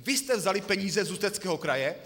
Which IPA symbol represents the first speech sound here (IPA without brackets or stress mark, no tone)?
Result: v